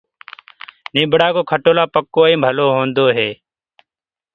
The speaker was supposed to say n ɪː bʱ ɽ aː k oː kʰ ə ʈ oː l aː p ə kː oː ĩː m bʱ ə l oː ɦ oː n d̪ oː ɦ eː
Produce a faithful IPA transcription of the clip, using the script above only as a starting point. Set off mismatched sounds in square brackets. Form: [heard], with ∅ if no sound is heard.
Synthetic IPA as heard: n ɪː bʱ ɽ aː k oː kʰ ə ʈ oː l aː p ə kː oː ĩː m bʱ ə l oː ɦ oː n d̪ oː ɦ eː